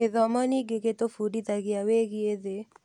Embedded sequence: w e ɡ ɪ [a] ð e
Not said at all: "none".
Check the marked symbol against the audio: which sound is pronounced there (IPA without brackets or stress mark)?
e